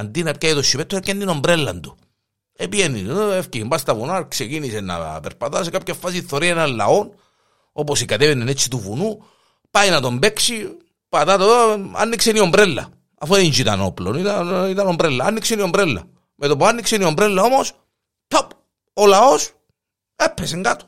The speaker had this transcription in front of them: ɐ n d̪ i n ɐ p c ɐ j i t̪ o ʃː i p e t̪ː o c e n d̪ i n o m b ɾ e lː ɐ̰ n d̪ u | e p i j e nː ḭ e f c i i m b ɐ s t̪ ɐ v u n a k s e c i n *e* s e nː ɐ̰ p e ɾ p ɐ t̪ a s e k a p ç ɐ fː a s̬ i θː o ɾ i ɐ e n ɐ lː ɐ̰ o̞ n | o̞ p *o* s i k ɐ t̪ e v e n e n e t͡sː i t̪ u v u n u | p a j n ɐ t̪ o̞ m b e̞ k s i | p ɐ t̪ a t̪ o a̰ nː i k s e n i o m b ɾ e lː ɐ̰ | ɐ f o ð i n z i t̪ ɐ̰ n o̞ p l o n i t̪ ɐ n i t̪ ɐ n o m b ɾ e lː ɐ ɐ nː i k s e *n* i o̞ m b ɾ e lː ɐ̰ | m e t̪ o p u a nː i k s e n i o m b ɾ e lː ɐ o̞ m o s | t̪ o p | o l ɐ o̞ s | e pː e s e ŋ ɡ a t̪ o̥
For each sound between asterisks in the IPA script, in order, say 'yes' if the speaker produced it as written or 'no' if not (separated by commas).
no, yes, yes